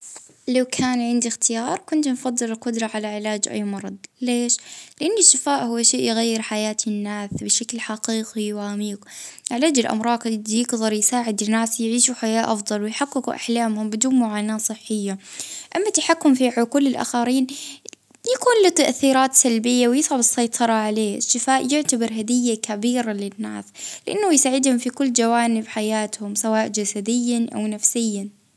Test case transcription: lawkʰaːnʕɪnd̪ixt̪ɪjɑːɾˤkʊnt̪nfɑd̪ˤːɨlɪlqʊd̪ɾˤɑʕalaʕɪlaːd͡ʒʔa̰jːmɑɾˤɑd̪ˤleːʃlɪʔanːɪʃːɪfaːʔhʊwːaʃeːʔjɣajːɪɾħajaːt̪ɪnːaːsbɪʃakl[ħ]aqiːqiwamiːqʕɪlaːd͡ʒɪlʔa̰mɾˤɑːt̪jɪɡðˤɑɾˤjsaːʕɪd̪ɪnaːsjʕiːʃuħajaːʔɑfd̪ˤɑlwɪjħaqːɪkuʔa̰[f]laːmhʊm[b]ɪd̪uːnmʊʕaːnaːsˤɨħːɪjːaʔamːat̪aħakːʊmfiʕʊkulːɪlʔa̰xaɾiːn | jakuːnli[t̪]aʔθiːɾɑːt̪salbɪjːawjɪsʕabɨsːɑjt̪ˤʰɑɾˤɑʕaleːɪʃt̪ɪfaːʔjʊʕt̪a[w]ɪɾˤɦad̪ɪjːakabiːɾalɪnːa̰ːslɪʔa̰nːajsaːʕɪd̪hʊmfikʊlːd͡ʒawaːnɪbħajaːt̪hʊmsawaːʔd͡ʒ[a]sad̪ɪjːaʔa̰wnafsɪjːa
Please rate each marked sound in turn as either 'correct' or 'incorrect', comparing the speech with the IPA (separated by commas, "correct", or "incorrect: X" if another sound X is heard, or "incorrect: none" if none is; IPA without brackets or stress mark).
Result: correct, incorrect: ħ, correct, correct, incorrect: b, correct